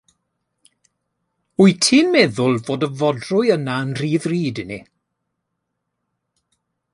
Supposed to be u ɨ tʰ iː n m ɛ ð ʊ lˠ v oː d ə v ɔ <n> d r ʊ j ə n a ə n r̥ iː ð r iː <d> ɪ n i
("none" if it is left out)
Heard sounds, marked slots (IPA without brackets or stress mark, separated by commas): none, d